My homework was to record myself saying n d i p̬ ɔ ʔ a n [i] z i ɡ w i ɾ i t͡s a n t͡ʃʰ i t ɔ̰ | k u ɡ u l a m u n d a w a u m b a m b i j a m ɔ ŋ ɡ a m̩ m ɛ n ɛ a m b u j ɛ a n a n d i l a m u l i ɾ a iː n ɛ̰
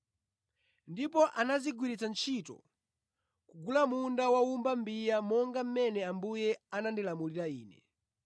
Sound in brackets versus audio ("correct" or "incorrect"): incorrect